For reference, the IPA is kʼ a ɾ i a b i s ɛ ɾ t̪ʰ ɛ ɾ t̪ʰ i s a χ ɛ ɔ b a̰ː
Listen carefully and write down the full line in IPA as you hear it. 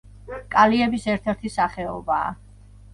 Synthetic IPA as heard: kʼ a l i ɛ b i s ɛ ɾ t̪ʰ ɛ ɾ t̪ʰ i s a χ ɛ ɔ b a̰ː